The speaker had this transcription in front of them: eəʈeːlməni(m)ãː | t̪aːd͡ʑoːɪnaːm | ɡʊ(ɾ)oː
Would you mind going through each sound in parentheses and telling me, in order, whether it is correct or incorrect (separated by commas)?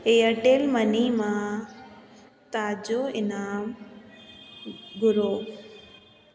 correct, correct